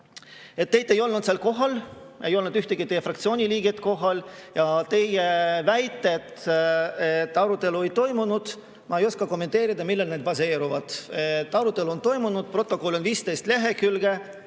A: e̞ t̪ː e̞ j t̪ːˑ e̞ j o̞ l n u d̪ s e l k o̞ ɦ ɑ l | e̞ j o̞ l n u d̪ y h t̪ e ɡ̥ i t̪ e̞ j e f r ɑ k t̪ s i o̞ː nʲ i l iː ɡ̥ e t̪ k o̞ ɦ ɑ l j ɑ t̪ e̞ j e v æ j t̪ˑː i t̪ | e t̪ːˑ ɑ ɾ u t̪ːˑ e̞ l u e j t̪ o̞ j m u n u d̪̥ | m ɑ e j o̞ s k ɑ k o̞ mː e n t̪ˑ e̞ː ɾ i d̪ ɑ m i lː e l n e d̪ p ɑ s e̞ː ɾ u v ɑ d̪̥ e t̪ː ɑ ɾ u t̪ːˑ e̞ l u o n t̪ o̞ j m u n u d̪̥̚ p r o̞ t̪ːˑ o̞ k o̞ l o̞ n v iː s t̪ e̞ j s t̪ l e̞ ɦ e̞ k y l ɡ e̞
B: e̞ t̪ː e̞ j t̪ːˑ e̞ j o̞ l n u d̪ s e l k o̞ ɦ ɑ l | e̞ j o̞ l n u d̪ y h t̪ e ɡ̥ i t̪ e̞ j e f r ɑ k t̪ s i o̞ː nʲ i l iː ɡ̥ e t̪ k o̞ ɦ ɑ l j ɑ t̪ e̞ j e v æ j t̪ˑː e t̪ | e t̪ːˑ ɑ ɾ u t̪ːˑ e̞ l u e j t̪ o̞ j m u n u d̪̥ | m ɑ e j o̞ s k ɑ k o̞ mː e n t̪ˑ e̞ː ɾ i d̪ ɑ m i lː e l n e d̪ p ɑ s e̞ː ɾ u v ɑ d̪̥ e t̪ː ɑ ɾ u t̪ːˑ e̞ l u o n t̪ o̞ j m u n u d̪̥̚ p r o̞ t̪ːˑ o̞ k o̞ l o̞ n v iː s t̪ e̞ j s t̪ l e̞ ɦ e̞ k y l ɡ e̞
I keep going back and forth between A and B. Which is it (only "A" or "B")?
B